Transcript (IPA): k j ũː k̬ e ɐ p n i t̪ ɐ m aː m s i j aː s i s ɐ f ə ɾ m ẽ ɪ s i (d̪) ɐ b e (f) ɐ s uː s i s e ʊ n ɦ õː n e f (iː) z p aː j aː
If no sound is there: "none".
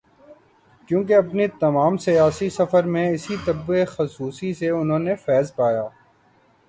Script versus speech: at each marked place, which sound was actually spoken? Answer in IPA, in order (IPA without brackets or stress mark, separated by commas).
t̪, x, ɛː